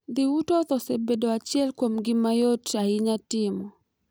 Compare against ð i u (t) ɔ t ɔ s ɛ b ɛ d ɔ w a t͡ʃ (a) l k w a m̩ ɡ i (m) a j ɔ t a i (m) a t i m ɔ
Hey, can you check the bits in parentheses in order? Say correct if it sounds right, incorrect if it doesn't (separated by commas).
correct, incorrect, correct, incorrect